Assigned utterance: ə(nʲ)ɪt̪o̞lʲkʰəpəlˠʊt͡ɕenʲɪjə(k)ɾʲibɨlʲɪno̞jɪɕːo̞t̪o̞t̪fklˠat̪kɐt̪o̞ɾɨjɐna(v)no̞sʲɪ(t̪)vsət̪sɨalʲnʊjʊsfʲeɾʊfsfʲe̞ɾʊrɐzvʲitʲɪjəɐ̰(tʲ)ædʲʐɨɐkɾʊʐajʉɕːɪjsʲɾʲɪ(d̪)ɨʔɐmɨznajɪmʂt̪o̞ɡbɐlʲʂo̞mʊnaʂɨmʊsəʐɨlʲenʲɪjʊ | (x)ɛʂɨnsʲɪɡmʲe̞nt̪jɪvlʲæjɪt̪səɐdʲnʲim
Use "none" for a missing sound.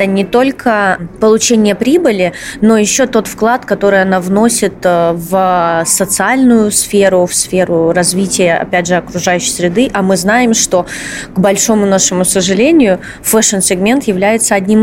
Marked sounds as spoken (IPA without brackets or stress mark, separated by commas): nʲ, p, v, t̪, pʲ, d̪, f